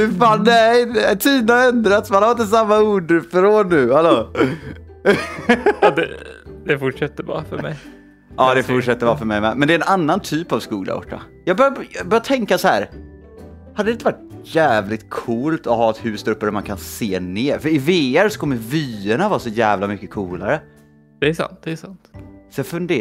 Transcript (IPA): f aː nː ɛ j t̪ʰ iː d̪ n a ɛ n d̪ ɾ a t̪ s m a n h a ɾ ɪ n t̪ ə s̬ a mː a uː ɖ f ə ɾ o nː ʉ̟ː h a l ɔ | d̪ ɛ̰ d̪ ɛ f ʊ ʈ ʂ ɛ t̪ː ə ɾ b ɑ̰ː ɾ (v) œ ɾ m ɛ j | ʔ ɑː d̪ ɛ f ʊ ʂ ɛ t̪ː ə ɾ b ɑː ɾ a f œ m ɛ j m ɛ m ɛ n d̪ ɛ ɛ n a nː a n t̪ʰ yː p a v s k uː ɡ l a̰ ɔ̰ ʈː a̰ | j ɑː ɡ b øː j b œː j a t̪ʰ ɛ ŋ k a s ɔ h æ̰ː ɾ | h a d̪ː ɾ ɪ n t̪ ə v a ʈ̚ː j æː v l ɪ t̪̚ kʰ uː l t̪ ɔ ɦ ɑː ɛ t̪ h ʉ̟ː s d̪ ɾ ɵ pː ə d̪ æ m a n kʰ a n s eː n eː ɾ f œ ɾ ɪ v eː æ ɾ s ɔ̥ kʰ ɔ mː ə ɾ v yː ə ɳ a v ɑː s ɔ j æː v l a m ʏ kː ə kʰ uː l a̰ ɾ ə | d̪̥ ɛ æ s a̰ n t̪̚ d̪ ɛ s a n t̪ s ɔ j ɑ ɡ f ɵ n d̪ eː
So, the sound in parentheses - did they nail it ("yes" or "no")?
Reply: no